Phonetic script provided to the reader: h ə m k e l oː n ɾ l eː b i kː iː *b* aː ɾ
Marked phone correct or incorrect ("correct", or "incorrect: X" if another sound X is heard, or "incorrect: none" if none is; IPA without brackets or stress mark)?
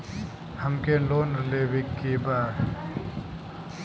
correct